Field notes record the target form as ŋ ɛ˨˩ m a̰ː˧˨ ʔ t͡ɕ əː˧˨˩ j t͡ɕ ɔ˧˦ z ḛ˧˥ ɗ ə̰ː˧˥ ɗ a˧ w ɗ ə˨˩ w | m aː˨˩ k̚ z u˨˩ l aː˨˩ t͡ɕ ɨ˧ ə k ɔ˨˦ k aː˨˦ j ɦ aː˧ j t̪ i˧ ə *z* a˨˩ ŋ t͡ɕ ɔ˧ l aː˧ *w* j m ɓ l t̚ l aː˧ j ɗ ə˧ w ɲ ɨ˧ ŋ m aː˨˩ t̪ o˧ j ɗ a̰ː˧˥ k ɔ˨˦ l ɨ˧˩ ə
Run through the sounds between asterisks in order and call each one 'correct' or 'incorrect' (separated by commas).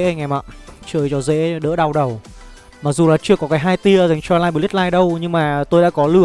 correct, incorrect